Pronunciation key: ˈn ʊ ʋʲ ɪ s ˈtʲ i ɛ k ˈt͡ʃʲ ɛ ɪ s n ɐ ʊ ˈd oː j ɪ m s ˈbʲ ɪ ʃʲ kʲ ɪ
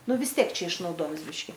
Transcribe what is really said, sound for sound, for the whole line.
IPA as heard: ˈn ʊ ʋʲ ɪ s ˈtʲ i ɛ k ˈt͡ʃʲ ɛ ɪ ʃ n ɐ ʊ ˈd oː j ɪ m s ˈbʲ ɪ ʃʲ kʲ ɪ